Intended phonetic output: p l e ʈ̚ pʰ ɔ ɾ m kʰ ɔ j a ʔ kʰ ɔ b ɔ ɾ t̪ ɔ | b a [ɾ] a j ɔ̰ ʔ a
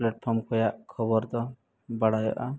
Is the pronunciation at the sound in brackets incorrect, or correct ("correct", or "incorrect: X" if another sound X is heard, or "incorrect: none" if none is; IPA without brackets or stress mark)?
incorrect: ɽ